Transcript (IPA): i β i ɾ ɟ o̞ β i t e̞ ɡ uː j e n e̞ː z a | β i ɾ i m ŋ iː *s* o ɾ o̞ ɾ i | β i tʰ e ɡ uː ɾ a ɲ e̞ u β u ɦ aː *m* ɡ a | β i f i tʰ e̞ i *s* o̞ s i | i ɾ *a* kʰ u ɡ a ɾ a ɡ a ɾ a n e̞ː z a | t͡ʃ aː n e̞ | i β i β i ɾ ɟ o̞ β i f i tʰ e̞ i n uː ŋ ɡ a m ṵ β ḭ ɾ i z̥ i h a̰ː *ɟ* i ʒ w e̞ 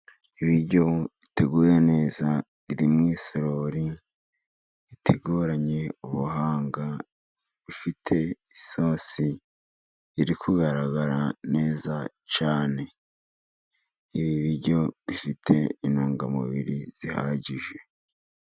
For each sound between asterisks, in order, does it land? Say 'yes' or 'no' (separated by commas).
yes, no, yes, no, yes